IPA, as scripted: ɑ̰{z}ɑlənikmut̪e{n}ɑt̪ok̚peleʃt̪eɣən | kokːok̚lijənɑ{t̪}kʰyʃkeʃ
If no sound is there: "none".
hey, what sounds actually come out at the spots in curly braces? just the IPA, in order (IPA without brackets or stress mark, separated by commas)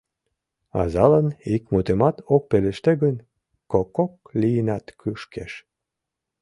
z, m, t̪